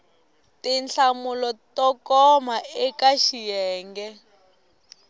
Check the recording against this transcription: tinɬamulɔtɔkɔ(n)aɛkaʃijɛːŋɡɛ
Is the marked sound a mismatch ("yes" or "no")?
yes